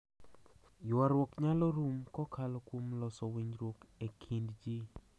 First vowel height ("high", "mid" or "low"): low